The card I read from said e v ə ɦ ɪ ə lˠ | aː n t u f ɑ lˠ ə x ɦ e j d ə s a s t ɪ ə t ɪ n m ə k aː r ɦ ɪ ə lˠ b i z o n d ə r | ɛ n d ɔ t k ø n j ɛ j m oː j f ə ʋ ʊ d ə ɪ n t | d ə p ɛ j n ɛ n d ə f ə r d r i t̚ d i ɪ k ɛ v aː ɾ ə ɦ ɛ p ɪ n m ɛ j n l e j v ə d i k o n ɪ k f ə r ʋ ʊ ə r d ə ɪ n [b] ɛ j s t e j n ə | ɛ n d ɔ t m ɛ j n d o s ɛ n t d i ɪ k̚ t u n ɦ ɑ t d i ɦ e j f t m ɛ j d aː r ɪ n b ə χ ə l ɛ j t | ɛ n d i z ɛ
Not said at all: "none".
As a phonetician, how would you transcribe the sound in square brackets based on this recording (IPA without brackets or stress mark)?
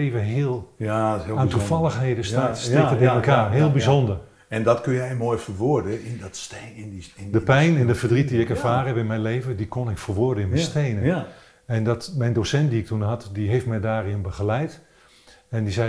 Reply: m